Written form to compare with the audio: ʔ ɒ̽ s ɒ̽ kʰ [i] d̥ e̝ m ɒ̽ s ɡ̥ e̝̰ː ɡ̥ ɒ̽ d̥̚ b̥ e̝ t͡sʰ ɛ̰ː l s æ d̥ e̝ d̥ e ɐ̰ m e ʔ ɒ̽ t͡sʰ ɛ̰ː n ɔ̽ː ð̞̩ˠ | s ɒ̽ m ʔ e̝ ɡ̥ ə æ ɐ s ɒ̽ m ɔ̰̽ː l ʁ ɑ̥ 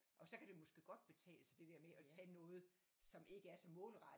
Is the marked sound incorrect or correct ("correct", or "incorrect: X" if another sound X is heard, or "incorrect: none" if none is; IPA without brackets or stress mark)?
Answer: incorrect: æ